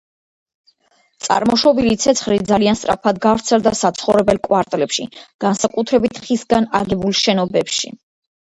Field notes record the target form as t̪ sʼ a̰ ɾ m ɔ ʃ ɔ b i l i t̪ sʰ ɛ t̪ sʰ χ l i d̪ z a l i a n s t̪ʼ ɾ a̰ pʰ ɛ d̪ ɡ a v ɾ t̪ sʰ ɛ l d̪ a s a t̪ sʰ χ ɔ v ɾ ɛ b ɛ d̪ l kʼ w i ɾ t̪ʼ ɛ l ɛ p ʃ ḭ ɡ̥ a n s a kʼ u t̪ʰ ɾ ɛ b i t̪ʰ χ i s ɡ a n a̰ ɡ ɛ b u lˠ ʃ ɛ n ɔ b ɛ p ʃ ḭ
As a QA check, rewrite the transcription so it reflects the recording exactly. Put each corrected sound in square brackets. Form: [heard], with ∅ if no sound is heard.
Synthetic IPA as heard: t̪ sʼ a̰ ɾ m ɔ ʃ ɔ b i l i t̪ sʰ ɛ t̪ sʰ χ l i d̪ z a l i a n s t̪ʼ ɾ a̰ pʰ [a] d̪ ɡ a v ɾ t̪ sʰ ɛ l d̪ a s a t̪ sʰ χ ɔ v ɾ ɛ b ɛ [∅] l kʼ w [a] ɾ t̪ʼ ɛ l ɛ p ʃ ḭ ɡ̥ a n s a kʼ u t̪ʰ ɾ ɛ b i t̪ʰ χ i s ɡ a n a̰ ɡ ɛ b u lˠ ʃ ɛ n ɔ b ɛ p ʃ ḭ